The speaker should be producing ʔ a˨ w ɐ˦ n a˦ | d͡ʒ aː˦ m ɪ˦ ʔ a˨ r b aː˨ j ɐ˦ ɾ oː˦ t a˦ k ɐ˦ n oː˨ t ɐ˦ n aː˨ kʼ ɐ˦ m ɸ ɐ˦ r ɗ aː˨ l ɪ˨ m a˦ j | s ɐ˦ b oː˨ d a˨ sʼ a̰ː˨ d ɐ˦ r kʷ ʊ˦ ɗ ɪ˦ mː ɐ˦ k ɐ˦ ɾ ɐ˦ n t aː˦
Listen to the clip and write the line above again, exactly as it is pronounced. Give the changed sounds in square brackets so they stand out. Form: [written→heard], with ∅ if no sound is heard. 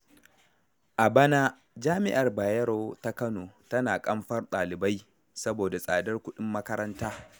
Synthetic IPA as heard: ʔ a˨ [w→b] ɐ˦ n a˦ | d͡ʒ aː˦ m ɪ˦ ʔ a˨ r b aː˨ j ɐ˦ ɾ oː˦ t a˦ k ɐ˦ n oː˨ t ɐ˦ n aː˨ kʼ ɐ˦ m ɸ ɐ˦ r ɗ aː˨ l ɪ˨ [m→b] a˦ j | s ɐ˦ b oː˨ d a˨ sʼ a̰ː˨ d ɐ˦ r kʷ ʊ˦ ɗ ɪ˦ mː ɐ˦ k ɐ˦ ɾ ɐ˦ n t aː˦